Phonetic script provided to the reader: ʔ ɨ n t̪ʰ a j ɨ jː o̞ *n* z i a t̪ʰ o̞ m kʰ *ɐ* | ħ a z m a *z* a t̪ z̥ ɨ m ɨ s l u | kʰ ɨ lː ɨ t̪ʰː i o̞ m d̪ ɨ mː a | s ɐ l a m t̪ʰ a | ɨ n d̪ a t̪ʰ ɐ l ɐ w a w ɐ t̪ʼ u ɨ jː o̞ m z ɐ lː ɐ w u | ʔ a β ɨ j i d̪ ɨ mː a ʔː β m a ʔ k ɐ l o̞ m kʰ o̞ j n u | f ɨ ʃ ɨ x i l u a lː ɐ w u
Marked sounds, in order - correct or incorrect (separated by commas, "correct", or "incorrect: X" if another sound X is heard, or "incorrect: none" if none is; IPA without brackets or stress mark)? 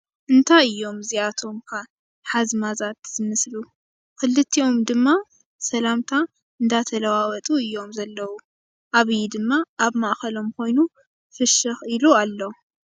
incorrect: m, incorrect: a, correct